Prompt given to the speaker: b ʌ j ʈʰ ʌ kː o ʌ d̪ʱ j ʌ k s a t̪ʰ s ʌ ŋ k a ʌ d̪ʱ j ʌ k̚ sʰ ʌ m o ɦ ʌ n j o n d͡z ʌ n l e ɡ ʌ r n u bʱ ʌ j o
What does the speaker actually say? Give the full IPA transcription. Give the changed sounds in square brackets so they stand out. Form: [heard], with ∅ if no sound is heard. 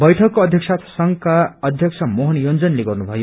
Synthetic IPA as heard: b ʌ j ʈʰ ʌ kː o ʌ d̪ʱ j ʌ k s a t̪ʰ s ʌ ŋ k a ʌ d̪ʱ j ʌ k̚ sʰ ʌ m o ɦ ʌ n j o n d͡z ʌ n l e ɡ ʌ r n u bʱ ʌ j o